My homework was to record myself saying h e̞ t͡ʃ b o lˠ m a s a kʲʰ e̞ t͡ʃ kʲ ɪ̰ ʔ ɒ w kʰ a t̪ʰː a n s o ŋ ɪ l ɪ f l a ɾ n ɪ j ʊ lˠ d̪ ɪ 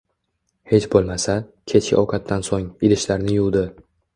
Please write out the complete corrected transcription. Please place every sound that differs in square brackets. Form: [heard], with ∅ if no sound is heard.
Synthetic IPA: h e̞ t͡ʃ b o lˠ m a s a kʲʰ e̞ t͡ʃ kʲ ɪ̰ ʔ ɒ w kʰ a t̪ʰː a n s o ŋ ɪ l ɪ [ʃ] l a ɾ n ɪ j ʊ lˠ d̪ ɪ